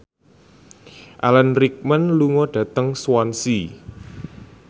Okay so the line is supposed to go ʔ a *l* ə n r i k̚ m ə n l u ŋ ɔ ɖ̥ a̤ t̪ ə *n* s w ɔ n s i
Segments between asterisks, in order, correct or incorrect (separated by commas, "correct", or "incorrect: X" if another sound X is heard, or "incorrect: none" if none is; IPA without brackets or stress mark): correct, incorrect: ŋ